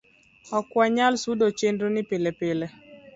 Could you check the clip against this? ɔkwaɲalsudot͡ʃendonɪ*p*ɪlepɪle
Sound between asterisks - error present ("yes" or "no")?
no